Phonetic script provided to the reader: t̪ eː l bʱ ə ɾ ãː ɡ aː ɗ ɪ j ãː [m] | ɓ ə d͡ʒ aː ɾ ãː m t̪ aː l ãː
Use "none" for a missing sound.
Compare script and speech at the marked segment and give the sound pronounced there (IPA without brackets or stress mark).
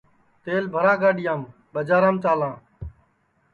m